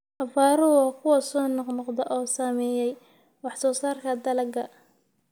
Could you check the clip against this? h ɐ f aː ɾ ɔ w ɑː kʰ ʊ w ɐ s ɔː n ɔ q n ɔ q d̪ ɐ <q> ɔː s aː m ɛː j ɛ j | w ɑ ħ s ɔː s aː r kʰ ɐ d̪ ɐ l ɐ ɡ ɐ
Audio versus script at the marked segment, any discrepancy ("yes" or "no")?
yes